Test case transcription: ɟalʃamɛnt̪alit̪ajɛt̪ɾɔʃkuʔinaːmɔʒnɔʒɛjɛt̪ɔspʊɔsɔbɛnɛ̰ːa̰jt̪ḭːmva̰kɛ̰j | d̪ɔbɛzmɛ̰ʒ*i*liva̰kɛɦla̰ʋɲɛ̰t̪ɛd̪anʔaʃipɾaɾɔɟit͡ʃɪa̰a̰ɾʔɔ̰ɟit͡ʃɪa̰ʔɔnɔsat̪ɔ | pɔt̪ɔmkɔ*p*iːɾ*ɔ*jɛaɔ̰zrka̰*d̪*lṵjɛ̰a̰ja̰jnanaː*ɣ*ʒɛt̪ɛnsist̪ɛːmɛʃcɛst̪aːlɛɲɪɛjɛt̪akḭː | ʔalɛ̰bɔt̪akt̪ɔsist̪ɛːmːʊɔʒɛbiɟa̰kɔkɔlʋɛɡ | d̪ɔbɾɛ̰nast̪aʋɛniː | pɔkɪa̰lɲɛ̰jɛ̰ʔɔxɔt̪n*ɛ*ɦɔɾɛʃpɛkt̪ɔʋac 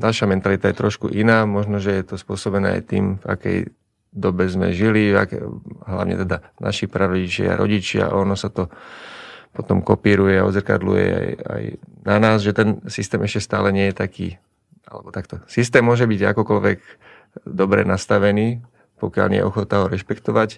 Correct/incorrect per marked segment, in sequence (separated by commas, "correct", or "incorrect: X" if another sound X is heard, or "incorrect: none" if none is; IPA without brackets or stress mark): correct, correct, incorrect: u, correct, incorrect: z, incorrect: a